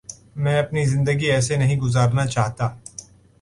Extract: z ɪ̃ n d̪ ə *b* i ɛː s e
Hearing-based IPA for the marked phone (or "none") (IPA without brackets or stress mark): ɡ